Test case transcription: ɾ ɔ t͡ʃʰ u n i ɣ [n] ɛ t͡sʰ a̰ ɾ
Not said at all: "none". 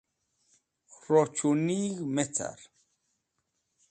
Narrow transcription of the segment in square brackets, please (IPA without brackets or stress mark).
m